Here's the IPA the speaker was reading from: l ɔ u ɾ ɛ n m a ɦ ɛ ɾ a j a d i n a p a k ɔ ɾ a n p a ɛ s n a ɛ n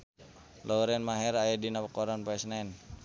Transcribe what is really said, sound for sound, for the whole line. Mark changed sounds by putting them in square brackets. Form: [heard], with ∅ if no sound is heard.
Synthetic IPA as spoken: l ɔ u ɾ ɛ n m a ɦ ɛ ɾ a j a d i n a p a k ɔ ɾ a n p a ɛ s n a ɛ n